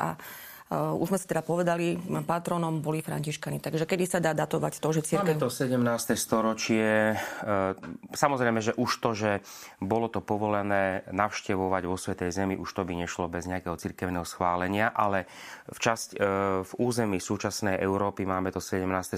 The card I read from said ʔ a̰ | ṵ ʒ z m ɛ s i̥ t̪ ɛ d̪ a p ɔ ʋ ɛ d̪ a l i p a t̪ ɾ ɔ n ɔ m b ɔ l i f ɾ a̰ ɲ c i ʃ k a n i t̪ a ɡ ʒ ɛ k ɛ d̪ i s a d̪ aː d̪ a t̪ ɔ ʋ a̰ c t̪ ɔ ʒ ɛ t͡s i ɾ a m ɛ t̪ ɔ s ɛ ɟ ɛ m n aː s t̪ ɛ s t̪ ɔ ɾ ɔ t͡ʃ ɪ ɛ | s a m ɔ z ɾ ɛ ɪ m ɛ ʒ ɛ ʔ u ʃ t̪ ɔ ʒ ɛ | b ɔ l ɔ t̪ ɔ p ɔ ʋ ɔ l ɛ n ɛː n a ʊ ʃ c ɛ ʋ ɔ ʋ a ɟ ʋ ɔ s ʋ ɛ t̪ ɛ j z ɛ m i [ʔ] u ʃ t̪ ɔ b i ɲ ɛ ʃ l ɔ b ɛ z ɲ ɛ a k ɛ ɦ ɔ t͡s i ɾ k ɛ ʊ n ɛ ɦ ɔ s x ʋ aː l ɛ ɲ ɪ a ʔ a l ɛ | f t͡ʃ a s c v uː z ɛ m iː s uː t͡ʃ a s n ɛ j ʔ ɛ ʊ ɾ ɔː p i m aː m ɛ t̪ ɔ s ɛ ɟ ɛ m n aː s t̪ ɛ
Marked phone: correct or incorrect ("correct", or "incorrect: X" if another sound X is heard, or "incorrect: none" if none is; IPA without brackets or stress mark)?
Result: correct